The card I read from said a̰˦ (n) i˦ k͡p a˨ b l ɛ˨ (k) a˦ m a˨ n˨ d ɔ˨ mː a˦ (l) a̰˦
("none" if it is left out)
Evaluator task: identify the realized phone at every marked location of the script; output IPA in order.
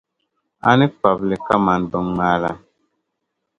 n, k, l

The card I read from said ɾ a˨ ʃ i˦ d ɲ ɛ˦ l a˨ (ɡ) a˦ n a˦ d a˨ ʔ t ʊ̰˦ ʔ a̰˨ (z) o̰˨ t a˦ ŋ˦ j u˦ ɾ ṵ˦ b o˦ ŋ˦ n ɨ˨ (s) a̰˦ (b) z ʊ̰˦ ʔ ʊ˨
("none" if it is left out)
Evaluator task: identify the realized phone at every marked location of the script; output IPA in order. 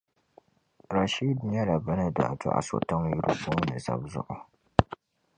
b, s, z, b

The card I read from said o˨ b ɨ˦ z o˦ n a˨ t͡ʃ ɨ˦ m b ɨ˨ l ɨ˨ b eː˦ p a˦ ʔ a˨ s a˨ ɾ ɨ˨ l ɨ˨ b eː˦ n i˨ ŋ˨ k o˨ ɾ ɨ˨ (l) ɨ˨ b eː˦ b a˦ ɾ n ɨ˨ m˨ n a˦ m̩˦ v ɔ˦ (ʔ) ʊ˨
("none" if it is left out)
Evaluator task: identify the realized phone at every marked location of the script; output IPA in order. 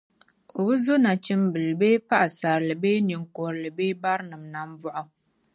l, ʔ

